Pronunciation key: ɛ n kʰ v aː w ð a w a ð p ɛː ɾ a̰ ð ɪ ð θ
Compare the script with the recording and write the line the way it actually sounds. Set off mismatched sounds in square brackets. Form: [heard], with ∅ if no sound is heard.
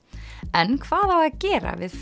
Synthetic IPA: ɛ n kʰ v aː [∅] ð a w a ð [c] ɛː ɾ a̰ [v] ɪ ð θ